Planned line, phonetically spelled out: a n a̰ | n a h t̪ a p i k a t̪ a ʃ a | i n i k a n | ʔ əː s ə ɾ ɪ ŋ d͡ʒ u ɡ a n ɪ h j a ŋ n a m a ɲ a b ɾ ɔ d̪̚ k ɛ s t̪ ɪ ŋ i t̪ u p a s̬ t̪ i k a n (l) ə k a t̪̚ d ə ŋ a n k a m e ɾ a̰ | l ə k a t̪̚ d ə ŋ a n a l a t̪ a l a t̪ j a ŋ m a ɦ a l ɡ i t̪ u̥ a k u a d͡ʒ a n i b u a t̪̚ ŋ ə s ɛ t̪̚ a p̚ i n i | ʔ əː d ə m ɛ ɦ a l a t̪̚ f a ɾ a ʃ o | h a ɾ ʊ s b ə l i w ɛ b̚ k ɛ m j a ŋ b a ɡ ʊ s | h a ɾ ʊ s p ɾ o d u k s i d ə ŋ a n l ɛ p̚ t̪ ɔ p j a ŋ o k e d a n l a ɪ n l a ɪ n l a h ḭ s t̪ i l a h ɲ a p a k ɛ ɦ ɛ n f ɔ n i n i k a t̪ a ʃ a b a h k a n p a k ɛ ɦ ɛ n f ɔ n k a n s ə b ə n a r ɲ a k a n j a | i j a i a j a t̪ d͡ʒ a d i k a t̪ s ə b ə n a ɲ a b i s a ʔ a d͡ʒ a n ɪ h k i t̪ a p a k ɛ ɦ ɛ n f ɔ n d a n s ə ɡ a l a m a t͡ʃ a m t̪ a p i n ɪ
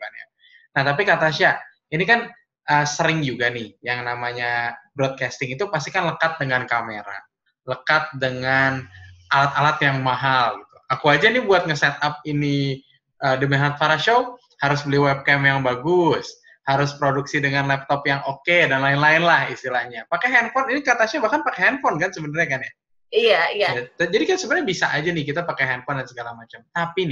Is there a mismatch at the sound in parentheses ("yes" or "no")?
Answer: no